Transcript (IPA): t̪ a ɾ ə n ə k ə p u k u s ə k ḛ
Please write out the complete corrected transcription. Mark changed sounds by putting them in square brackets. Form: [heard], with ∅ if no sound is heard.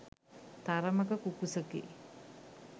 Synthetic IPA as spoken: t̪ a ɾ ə [m] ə k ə [k] u k u s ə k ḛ